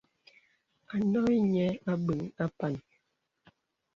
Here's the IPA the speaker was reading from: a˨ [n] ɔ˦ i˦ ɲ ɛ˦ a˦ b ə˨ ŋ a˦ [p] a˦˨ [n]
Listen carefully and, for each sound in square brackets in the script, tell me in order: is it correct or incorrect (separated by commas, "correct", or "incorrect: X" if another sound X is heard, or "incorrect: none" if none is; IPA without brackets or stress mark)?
correct, correct, correct